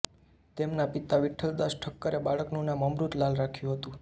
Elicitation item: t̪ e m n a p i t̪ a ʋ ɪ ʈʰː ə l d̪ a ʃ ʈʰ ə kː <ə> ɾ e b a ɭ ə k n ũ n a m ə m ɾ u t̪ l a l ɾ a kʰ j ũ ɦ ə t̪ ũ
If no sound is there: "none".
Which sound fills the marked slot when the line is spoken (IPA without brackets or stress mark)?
ə